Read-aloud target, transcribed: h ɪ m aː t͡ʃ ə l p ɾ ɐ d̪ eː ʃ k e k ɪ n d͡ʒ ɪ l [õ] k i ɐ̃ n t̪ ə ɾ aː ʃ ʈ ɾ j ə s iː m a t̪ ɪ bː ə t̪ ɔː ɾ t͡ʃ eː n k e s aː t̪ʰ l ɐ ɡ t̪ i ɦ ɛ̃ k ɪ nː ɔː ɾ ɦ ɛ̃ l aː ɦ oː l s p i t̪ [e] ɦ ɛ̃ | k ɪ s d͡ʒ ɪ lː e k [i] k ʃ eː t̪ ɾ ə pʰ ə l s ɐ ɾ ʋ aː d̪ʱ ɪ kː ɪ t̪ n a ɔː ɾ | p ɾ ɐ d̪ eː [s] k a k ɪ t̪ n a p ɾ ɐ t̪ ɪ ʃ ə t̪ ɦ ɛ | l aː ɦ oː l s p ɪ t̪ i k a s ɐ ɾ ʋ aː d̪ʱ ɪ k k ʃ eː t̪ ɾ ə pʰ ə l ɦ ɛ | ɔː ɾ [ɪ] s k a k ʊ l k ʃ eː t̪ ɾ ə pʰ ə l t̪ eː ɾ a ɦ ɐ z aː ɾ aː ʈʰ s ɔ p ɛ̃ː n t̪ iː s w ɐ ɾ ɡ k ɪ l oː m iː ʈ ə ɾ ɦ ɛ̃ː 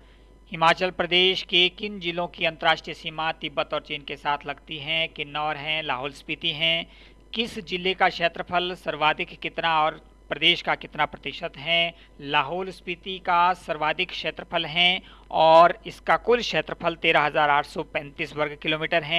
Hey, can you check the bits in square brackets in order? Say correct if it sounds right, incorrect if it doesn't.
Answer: correct, incorrect: i, incorrect: a, incorrect: ʃ, correct

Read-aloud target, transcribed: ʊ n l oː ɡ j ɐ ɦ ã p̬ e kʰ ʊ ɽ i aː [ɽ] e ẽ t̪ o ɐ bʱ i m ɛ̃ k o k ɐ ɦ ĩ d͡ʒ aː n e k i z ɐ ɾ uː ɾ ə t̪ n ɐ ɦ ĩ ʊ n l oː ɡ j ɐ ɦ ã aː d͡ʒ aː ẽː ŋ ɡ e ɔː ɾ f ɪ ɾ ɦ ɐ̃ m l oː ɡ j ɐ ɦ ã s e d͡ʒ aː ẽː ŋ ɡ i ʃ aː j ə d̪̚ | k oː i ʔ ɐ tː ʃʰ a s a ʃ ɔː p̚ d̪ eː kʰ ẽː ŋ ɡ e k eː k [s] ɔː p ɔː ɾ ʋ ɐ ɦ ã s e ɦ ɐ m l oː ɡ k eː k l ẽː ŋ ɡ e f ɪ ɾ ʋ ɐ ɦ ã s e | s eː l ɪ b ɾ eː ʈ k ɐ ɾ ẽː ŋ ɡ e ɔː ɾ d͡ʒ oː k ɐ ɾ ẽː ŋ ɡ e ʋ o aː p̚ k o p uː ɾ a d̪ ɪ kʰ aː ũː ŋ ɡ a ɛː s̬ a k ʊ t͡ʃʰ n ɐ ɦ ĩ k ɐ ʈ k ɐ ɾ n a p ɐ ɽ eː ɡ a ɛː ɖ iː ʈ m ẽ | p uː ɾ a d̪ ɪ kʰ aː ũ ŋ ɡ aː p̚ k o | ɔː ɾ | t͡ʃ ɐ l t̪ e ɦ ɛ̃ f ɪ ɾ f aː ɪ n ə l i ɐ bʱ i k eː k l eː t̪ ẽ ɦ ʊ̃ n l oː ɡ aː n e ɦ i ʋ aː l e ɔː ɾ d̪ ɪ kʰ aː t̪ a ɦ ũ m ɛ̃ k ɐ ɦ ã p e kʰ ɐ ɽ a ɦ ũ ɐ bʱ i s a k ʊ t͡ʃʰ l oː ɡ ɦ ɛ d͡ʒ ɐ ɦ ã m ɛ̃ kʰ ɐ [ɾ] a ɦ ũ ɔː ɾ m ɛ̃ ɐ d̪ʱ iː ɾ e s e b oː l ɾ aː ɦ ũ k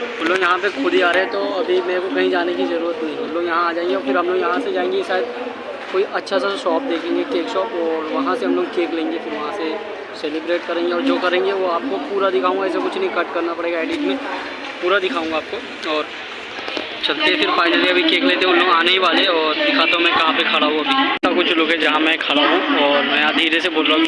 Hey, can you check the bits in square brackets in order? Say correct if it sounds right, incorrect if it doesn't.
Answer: incorrect: ɾ, incorrect: ʃ, incorrect: ɽ

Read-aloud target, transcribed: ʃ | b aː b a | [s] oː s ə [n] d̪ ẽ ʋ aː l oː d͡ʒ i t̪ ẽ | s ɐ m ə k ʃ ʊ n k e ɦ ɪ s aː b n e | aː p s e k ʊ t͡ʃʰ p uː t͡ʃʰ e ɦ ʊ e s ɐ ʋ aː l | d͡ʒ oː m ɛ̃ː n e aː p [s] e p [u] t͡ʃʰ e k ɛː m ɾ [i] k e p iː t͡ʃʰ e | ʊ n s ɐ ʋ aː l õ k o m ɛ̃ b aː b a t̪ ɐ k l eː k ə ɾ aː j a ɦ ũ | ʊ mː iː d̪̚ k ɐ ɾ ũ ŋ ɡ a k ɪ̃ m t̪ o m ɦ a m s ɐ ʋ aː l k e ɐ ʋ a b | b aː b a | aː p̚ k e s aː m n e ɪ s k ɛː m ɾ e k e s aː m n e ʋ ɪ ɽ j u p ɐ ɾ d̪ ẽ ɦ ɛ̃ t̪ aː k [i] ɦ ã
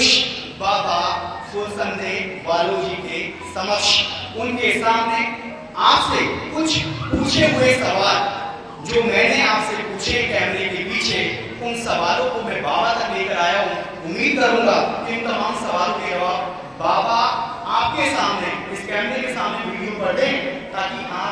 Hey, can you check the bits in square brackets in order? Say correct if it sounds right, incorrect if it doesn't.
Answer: correct, correct, correct, incorrect: uː, incorrect: e, correct

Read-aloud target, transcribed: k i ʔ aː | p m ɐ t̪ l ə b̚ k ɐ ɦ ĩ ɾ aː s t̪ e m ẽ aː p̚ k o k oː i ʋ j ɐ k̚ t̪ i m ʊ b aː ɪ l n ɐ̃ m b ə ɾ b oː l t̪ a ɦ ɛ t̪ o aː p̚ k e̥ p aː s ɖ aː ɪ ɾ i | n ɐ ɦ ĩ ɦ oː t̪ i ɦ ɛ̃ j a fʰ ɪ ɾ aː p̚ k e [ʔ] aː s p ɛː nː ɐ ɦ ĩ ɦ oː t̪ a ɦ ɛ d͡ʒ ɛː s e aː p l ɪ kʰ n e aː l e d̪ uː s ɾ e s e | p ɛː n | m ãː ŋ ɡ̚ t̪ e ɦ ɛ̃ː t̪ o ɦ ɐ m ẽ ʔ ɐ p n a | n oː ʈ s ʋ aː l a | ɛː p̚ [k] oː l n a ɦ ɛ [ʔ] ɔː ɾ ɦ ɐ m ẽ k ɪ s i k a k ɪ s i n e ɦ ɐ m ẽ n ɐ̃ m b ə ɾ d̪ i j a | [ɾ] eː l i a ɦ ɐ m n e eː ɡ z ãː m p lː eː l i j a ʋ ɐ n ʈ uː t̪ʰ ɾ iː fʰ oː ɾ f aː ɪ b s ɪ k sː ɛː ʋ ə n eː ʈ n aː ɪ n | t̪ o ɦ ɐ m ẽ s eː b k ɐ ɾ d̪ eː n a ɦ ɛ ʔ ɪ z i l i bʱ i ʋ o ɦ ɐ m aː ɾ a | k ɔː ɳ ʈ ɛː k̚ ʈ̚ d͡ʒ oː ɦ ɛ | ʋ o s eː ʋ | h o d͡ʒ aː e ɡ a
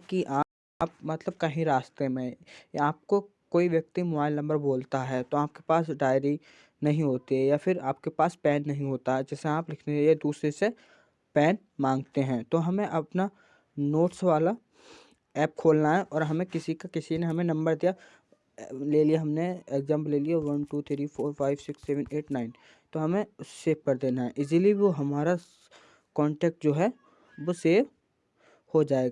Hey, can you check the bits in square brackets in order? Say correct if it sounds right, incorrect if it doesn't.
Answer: incorrect: p, incorrect: kʰ, correct, incorrect: l

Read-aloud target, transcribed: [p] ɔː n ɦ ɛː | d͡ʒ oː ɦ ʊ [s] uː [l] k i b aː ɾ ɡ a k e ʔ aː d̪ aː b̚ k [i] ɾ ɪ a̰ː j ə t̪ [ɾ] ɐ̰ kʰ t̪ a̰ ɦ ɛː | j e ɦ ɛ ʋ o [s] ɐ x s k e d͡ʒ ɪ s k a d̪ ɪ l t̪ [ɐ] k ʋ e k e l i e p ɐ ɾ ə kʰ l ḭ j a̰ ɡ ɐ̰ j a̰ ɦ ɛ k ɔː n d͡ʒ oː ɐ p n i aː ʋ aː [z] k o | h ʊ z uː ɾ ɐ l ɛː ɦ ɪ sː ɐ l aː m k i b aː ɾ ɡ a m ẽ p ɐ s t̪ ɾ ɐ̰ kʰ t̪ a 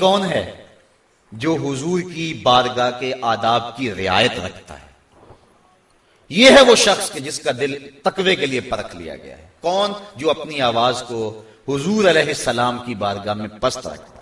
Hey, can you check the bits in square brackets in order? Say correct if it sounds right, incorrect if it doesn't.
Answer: incorrect: k, incorrect: z, incorrect: ɾ, correct, correct, incorrect: ʃ, correct, correct

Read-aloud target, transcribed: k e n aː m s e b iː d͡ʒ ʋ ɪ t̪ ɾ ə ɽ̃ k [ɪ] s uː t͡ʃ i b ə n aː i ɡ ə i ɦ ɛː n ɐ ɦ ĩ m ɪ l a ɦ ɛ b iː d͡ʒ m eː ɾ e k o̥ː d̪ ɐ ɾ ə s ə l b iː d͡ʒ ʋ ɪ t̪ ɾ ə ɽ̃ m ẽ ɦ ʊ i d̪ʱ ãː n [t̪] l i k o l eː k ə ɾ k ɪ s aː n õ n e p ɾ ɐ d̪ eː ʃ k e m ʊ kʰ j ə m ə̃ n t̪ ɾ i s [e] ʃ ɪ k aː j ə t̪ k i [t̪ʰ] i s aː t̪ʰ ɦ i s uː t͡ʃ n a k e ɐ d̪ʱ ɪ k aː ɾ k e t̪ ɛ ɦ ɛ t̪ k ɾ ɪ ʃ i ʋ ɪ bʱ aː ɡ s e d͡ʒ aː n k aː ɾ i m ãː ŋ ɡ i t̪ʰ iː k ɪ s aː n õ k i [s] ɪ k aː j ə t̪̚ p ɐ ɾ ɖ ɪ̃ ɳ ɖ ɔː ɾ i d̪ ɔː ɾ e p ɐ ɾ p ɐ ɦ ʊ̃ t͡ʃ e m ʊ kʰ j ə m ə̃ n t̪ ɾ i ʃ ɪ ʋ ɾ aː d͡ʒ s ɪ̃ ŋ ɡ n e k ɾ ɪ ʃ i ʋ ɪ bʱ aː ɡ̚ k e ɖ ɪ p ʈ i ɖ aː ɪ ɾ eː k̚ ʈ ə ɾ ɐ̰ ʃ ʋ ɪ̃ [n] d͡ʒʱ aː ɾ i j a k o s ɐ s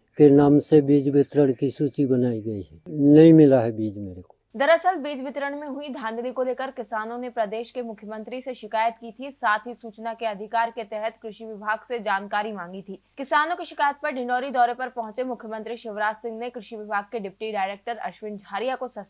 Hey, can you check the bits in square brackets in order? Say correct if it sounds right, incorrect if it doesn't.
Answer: incorrect: i, incorrect: d̪, correct, correct, incorrect: ʃ, correct

